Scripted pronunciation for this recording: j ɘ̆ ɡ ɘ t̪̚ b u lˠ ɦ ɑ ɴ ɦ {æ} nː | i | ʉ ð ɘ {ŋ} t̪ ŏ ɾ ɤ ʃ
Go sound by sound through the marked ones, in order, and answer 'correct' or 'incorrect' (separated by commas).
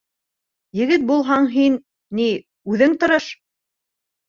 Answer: incorrect, correct